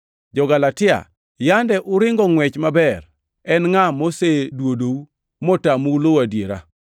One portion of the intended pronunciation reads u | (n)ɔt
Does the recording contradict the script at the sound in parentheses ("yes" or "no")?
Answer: yes